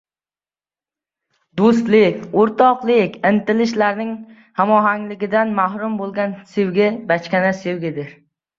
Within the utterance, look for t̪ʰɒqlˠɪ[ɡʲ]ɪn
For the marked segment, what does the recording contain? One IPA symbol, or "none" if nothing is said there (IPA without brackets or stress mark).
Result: kʲ